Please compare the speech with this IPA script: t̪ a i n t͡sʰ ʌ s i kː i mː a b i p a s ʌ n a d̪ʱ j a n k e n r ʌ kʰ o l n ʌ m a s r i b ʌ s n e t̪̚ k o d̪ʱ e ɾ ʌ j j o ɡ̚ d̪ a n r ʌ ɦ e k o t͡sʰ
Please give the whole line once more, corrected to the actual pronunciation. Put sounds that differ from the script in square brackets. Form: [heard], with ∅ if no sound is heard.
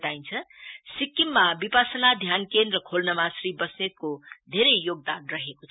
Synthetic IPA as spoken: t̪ a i n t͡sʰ ʌ s i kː i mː a b i p a s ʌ n a d̪ʱ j a n k e n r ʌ kʰ o l n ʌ m a s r i b ʌ s n e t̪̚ k o d̪ʱ e ɾ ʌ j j o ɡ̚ d̪ a n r ʌ ɦ e k o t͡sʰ